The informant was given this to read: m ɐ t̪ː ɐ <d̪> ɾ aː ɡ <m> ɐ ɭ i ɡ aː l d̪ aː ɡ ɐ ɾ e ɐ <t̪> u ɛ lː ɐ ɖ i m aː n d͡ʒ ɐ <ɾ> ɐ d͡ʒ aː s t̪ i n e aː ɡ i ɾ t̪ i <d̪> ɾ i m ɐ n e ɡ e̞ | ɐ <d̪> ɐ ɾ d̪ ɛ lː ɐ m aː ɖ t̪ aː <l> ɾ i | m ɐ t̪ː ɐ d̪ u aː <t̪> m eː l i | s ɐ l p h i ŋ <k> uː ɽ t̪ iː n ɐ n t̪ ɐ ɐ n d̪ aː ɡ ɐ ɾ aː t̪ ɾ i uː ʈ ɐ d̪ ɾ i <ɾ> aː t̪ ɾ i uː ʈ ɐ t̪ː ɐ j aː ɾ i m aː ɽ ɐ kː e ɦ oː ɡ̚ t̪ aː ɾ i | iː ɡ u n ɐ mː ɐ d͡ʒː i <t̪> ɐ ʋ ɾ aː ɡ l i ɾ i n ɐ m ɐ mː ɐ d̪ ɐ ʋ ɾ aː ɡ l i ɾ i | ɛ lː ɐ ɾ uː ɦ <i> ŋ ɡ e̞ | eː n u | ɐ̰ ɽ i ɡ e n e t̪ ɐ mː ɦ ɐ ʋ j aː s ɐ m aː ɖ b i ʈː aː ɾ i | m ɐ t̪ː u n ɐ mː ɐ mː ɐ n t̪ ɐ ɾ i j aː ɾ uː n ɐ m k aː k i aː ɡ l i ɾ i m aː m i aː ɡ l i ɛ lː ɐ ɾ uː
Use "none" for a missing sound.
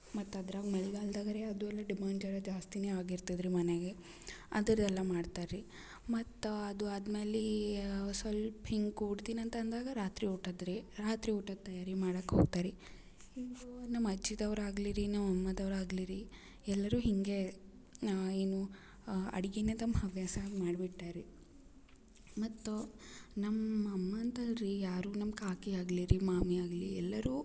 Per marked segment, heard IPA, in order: d̪, m, d̪, ɾ, d̪, d̪, ɾ, d̪, ɡ, ɾ, d̪, i

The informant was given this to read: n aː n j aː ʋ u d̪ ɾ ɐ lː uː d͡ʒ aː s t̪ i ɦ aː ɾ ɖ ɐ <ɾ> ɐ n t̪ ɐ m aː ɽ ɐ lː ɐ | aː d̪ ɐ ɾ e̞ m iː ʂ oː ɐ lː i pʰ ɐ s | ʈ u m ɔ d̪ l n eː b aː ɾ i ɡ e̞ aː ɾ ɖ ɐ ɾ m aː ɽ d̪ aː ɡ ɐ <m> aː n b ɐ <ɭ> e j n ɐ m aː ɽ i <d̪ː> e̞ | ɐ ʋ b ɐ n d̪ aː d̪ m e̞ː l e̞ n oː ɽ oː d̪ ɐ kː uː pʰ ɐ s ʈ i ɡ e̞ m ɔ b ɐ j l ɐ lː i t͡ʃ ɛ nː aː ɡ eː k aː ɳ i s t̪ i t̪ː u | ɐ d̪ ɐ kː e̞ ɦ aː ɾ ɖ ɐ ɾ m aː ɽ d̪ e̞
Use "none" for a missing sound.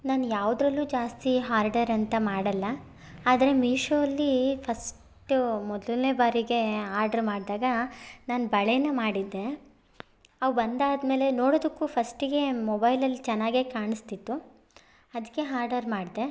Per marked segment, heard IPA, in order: ɾ, n, ɭ, d̪ː

